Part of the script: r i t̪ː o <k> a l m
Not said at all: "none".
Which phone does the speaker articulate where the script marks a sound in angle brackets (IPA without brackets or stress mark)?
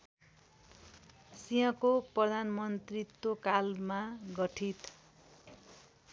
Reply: k